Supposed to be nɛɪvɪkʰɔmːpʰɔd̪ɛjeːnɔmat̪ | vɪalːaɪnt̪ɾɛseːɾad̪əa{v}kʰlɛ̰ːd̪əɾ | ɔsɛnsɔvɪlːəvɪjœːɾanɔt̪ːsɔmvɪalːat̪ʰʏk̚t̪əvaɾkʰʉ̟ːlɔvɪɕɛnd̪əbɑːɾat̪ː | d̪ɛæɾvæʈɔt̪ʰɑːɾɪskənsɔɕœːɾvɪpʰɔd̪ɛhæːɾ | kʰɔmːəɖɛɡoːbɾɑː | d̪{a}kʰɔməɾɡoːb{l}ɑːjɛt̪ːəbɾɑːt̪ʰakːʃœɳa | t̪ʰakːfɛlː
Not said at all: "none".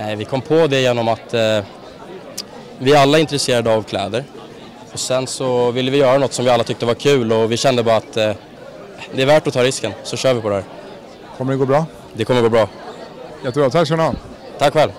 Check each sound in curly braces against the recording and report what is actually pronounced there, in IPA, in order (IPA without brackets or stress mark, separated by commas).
v, ɛ, ɾ